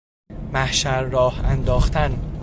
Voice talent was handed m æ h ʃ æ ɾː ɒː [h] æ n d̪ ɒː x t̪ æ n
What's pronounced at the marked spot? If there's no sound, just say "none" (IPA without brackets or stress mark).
h